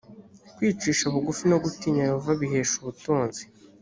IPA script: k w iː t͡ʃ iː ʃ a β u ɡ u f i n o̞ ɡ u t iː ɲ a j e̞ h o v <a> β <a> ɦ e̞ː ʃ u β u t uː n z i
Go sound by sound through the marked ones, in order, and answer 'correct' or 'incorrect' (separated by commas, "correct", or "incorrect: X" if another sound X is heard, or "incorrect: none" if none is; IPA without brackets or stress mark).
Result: correct, incorrect: i